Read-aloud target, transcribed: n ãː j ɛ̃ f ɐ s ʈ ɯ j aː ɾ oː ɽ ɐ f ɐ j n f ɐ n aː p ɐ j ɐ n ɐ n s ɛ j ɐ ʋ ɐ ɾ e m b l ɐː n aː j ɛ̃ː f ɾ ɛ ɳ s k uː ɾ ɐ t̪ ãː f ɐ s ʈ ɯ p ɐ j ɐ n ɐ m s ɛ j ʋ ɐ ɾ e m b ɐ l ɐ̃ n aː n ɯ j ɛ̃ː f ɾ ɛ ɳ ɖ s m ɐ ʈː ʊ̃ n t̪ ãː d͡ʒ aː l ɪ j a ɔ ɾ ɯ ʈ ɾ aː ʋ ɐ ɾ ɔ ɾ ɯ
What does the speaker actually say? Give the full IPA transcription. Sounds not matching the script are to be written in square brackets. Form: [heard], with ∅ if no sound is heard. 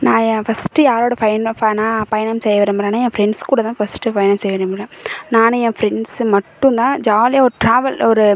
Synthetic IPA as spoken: n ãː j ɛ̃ f ɐ s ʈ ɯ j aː ɾ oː ɽ ɐ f ɐ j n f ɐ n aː p ɐ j ɐ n ɐ [m] s ɛ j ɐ ʋ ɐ ɾ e m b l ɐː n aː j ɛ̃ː f ɾ ɛ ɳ s k uː [ɽ] ɐ t̪ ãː f ɐ s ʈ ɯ p ɐ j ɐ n ɐ m s ɛ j ʋ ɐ ɾ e m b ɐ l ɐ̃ n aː n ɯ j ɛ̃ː f ɾ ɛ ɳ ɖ s m ɐ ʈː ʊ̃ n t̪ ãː d͡ʒ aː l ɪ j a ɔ ɾ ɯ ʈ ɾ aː ʋ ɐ [l] ɔ ɾ ɯ